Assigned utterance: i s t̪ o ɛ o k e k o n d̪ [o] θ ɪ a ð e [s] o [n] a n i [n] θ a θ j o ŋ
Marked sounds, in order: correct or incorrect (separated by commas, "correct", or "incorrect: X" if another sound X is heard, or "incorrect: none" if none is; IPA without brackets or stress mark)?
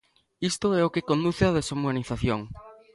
incorrect: u, correct, incorrect: m, incorrect: none